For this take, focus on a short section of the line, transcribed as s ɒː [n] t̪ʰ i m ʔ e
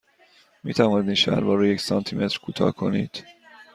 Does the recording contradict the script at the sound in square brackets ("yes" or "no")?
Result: no